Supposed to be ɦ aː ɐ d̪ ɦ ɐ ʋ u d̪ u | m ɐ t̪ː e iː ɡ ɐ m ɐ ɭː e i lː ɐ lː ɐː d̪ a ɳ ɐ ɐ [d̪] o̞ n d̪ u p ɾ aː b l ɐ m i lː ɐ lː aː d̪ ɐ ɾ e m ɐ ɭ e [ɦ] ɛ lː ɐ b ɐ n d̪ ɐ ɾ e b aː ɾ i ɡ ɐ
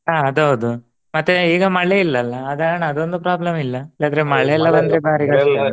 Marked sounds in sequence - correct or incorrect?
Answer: correct, incorrect: none

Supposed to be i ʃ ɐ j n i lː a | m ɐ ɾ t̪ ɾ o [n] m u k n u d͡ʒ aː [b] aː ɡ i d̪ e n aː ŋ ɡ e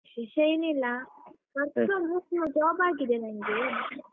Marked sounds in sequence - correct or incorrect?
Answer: incorrect: none, correct

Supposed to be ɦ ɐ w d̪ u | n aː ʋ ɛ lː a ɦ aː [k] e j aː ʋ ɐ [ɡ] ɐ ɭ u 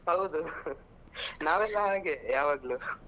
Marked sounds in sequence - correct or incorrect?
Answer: incorrect: ɡ, correct

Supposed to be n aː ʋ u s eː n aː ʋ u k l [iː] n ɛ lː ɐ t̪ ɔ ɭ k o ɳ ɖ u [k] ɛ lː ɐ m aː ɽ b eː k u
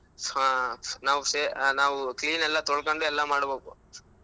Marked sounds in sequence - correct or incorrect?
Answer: correct, incorrect: none

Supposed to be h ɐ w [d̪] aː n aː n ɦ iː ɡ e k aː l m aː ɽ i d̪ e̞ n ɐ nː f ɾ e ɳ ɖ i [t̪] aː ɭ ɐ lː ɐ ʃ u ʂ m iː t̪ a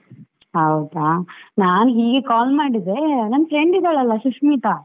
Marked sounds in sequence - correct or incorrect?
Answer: correct, incorrect: d̪

